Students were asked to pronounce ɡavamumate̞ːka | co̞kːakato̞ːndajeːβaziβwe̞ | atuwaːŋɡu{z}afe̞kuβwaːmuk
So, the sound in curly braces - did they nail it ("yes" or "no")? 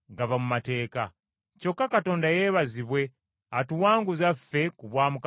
yes